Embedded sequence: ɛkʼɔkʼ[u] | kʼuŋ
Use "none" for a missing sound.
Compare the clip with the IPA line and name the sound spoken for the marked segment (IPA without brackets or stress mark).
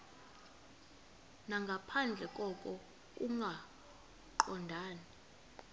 ɔ